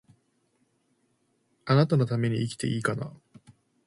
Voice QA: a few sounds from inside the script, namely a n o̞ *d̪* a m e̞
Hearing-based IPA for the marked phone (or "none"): t̪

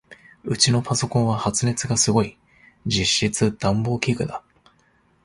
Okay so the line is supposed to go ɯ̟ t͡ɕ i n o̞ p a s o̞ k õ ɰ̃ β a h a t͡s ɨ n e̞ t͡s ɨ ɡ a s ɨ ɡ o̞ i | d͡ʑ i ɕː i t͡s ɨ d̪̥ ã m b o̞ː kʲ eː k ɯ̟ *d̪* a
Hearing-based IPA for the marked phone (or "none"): d̪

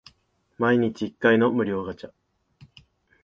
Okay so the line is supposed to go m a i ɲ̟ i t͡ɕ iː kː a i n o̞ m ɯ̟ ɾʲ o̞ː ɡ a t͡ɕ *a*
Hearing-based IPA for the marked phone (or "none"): a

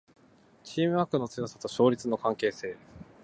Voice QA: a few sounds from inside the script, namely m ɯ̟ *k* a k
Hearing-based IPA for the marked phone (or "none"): none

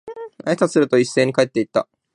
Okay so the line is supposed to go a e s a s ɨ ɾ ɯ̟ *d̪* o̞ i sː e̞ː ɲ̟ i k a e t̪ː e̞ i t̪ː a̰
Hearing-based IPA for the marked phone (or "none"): t̪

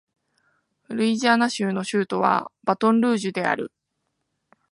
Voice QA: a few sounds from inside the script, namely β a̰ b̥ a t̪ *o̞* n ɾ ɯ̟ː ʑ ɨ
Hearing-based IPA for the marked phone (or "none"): õ̞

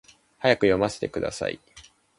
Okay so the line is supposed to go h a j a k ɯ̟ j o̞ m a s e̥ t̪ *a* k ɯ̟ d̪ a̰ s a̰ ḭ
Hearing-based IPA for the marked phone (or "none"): e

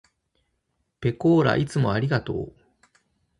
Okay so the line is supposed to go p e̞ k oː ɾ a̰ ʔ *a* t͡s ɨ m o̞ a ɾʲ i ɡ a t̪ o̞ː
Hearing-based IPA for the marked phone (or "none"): i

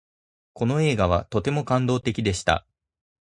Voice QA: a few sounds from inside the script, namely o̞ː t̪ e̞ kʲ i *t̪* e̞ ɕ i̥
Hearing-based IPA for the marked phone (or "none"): d̪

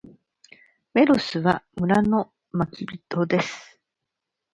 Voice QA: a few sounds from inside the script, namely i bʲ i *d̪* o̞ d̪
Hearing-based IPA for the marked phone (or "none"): t̪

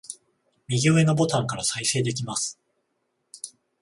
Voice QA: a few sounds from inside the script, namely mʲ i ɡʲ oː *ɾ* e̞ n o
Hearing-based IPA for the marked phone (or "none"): none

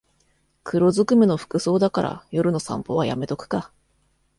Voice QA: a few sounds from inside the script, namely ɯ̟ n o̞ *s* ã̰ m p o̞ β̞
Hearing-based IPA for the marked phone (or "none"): s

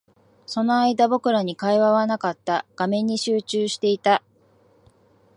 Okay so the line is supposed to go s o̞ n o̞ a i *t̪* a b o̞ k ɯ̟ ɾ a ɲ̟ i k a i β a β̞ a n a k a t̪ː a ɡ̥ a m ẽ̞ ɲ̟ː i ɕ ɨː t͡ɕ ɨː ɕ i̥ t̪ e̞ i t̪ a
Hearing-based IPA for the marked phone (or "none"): d̪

